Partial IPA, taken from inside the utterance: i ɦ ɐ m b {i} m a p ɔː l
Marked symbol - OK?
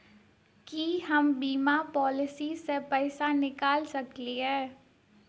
no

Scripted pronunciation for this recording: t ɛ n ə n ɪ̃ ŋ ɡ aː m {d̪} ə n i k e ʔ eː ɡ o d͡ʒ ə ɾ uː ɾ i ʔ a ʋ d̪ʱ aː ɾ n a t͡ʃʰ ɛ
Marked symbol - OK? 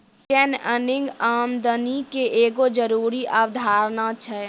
yes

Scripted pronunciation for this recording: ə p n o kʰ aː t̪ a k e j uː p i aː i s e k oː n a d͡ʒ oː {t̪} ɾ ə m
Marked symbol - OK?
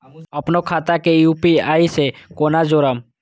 no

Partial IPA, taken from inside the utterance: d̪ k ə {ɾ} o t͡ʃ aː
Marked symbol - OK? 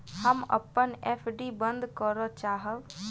yes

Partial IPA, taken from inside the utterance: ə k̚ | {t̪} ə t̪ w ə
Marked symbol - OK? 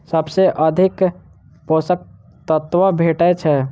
yes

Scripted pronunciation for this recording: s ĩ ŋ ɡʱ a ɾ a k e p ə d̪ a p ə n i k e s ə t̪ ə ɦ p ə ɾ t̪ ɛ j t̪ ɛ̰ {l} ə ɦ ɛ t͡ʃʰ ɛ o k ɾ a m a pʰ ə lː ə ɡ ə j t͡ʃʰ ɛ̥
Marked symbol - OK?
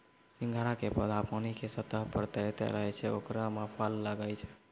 no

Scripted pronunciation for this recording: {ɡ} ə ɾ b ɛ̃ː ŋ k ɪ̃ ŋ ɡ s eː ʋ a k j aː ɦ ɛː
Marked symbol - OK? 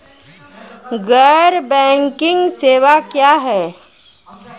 yes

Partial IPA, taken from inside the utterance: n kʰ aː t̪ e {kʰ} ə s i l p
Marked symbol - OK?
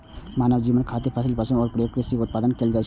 no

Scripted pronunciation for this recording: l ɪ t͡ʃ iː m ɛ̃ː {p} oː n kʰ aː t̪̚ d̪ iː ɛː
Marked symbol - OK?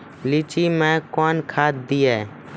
no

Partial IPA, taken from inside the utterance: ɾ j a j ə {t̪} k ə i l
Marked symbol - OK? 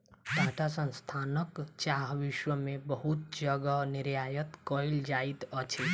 yes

